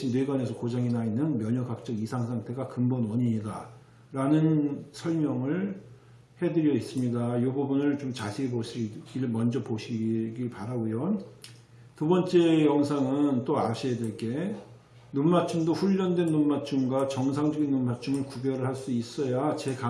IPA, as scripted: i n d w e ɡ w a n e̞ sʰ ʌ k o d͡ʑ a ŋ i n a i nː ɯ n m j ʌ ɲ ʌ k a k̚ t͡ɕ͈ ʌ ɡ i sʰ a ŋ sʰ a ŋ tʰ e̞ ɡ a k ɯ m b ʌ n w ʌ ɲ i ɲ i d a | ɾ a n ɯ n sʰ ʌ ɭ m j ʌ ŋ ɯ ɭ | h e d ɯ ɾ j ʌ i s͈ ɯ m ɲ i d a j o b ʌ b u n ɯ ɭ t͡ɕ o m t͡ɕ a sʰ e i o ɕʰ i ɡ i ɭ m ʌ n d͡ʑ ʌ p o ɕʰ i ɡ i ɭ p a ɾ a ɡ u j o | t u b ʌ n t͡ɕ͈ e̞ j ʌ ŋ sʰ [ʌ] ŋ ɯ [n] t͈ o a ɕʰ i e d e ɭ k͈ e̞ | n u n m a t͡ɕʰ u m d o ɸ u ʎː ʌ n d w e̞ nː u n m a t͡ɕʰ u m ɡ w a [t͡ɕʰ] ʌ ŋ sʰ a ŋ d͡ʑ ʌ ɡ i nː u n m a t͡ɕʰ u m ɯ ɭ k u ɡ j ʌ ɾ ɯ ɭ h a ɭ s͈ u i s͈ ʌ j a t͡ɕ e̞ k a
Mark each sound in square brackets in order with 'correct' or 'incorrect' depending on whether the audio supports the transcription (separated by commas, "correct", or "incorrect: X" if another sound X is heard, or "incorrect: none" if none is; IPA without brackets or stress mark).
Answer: incorrect: a, correct, incorrect: t͡ɕ